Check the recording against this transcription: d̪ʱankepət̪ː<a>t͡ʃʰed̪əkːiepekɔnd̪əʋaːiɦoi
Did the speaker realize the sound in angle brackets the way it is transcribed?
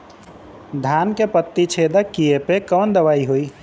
no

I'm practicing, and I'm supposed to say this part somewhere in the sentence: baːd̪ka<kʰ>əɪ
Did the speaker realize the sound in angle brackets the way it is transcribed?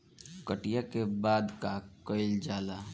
no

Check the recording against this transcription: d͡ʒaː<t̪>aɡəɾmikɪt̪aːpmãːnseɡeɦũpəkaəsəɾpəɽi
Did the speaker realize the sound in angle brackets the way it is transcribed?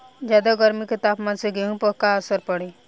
no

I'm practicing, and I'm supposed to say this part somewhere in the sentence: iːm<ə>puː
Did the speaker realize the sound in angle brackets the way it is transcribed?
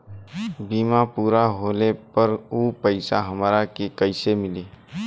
no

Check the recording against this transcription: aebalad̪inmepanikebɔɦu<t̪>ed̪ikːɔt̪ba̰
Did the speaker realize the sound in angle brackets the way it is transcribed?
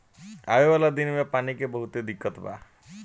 yes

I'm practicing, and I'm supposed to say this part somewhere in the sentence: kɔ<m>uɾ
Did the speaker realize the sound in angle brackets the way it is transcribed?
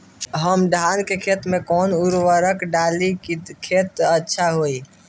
no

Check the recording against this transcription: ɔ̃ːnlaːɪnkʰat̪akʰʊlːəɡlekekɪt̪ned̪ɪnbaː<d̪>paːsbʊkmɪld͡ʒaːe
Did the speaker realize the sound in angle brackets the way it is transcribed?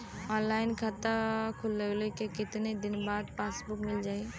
yes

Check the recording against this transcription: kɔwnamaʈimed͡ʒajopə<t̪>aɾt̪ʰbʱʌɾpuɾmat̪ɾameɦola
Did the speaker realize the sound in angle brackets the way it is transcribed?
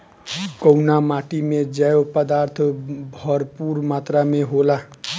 no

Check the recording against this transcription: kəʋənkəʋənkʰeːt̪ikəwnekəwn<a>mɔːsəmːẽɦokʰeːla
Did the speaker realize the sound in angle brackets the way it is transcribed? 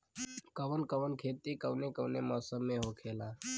no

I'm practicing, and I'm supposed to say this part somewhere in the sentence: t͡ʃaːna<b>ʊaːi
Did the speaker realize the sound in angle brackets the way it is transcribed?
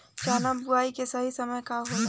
yes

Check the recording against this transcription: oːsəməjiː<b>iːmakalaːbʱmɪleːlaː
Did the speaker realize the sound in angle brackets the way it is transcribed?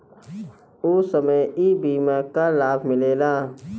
yes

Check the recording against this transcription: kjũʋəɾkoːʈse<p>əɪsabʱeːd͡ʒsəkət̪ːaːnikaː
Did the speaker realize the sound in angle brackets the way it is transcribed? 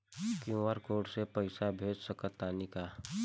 yes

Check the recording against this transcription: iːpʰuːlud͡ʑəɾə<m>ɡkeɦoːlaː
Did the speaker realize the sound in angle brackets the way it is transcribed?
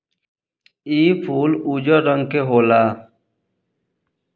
no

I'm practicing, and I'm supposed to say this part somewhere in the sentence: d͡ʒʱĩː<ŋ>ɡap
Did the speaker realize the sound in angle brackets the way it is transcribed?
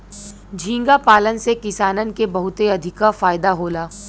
yes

